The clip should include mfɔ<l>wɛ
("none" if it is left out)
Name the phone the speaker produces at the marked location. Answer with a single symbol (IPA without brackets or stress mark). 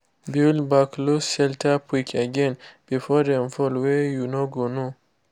l